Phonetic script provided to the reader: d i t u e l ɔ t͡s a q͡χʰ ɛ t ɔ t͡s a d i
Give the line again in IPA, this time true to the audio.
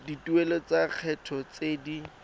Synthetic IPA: d i t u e l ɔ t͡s a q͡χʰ ɛ tʰ ɔ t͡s e d i